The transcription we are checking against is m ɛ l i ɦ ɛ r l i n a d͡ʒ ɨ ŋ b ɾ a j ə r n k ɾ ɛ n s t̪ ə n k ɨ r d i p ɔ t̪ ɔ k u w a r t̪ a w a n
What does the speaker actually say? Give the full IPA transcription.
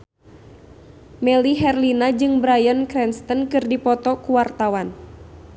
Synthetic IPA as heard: m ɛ l i ɦ ɛ r l i n a d͡ʒ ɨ ŋ b ɾ a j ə n k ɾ ɛ n s t̪ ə n k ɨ r d i p ɔ t̪ ɔ k u w a r t̪ a w a n

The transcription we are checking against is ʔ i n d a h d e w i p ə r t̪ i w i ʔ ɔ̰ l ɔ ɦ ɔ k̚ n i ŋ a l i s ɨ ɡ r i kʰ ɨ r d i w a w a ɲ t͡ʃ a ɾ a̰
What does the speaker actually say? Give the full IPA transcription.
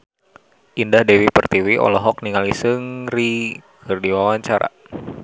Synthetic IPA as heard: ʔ i n d a h d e w i p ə r t̪ i w i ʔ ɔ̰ l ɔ ɦ ɔ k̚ n i ŋ a l i s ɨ ŋ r i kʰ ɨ r d i w a w a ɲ t͡ʃ a ɾ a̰

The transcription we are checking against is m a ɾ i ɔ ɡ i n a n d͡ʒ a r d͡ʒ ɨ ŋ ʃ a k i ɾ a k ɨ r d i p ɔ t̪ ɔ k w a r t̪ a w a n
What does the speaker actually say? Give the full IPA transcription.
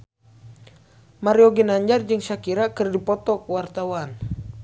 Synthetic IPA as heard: m a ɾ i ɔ ɡ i n a ɲ d͡ʒ a r d͡ʒ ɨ ŋ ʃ a k i ɾ a k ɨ r d i p ɔ t̪ ɔ k w a r t̪ a w a n

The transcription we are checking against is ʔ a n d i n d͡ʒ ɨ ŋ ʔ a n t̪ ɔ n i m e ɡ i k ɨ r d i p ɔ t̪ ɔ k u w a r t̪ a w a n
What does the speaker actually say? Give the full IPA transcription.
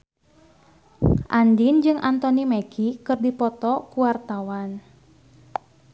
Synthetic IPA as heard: ʔ a n d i n d͡ʒ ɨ ŋ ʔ a n t̪ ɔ n i m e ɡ i k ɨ r d i p ɔ t̪ ɔ k u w a r t̪ a w a n

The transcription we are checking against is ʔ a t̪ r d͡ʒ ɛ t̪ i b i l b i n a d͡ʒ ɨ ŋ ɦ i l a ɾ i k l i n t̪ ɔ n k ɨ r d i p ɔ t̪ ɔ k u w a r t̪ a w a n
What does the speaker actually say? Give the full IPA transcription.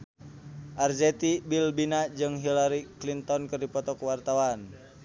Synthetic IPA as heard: ʔ a r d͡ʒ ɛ t̪ i b i l b i n a d͡ʒ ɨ ŋ ɦ i l a ɾ i k l i n t̪ ɔ n k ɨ r d i p ɔ t̪ ɔ k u w a r t̪ a w a n

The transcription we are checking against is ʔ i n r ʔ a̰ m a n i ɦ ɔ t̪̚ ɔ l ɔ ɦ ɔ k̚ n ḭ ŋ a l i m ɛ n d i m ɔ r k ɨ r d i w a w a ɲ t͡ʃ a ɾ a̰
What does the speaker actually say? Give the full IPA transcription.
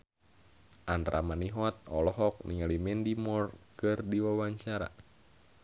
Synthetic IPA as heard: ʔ a n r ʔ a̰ m a n i ɦ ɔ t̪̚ ɔ l ɔ ɦ ɔ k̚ n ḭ ŋ a l i m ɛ n d i m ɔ r k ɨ r d i w a w a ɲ t͡ʃ a ɾ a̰

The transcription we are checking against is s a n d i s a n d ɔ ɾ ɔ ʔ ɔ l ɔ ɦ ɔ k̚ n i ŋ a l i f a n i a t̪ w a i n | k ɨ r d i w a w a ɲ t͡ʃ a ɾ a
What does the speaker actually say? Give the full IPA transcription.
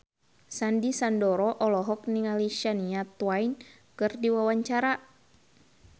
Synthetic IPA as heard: s a n d i s a n d ɔ ɾ ɔ ʔ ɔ l ɔ ɦ ɔ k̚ n i ŋ a l i ʃ a n i a t̪ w a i n | k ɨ r d i w a w a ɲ t͡ʃ a ɾ a

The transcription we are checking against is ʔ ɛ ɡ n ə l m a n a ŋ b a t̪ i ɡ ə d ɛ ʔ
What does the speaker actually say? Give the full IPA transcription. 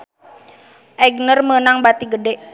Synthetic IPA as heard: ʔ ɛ ɡ n ə r m ə n a ŋ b a t̪ i ɡ ə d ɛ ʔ

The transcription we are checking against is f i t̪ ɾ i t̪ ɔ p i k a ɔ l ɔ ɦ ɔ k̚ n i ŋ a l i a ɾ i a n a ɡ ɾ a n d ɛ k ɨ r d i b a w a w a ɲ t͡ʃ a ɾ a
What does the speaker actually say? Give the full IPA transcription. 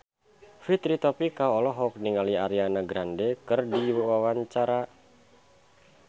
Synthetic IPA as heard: f i t̪ ɾ i t̪ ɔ p i k a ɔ l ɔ ɦ ɔ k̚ n i ŋ a l i a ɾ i a n a ɡ ɾ a n d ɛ k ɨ r d i w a w a w a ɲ t͡ʃ a ɾ a

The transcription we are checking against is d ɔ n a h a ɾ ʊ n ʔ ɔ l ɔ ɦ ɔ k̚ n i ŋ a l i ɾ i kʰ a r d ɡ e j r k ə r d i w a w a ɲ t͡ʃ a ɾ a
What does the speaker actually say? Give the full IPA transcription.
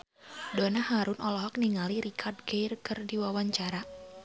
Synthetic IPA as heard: d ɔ n a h a ɾ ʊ n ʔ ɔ l ɔ ɦ ɔ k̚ n i ŋ a l i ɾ i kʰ a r d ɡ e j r k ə r d i w a w a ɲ t͡ʃ a ɾ a

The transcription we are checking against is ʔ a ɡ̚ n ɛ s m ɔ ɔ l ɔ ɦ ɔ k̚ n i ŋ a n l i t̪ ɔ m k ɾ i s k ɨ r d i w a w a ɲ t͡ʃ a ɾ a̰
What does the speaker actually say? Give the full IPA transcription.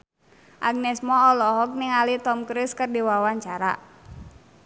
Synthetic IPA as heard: ʔ a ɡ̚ n ɛ s m ɔ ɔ l ɔ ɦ ɔ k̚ n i ŋ a l i t̪ ɔ m k ɾ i s k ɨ r d i w a w a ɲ t͡ʃ a ɾ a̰

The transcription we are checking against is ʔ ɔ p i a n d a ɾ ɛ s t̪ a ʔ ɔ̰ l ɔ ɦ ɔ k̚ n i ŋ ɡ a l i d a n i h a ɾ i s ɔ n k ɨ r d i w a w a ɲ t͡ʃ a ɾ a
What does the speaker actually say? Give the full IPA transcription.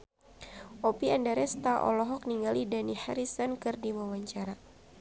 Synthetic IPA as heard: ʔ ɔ p i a n d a ɾ ɛ s t̪ a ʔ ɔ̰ l ɔ ɦ ɔ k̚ n i ŋ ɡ a l i d a n i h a ɾ i s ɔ n k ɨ r d i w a w a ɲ t͡ʃ a ɾ a

